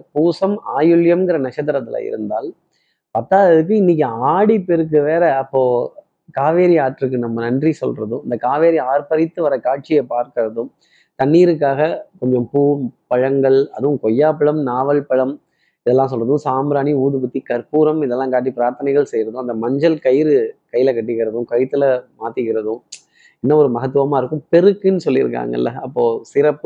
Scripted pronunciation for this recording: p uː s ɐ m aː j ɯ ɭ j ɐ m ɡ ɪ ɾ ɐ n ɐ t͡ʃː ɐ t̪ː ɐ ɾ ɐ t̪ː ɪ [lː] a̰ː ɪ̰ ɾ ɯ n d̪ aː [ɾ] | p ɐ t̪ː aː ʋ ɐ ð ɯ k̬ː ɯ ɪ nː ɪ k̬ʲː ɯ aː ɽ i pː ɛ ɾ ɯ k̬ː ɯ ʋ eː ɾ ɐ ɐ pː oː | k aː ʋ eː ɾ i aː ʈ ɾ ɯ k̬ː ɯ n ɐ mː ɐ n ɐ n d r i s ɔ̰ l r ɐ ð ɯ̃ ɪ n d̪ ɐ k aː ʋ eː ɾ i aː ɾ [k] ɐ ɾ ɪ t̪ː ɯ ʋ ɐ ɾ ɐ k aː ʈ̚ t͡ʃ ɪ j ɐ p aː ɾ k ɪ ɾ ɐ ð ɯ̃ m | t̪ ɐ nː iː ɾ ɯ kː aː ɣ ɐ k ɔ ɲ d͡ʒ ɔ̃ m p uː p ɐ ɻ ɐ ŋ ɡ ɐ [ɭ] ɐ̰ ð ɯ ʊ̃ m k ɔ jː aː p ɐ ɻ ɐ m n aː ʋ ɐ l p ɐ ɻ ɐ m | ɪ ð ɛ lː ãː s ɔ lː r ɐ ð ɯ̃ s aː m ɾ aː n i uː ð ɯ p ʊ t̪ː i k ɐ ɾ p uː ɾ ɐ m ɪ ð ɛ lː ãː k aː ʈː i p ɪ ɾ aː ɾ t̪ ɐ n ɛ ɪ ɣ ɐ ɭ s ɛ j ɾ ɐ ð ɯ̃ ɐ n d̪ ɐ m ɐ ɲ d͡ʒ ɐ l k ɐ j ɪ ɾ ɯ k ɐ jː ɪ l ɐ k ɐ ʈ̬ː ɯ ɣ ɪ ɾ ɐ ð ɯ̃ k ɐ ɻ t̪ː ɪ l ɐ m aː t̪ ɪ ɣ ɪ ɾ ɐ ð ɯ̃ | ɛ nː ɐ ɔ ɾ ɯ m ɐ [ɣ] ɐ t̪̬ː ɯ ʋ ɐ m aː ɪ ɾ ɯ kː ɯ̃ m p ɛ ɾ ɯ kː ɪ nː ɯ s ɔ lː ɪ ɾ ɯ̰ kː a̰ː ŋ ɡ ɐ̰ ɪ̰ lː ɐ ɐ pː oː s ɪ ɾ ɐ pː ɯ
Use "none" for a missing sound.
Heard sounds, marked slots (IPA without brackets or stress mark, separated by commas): l, l, p, ɭ, ɣ